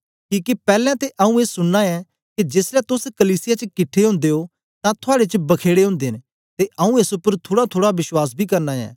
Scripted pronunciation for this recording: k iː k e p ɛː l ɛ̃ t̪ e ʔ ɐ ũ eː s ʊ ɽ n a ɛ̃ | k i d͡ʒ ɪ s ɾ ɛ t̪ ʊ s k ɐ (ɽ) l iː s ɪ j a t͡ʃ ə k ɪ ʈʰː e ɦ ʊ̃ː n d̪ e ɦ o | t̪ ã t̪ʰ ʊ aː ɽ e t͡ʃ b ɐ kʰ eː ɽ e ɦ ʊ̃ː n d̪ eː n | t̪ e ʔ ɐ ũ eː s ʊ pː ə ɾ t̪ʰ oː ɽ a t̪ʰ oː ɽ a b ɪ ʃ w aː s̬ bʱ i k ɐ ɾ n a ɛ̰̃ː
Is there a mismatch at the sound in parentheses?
yes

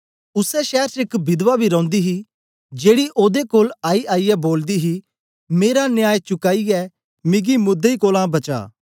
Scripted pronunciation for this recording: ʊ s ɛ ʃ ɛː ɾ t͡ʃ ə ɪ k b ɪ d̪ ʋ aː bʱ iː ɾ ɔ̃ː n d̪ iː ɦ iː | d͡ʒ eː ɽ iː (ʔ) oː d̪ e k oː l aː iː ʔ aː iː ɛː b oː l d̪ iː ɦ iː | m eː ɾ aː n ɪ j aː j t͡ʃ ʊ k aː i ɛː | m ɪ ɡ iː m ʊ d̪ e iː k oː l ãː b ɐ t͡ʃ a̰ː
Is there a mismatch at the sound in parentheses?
no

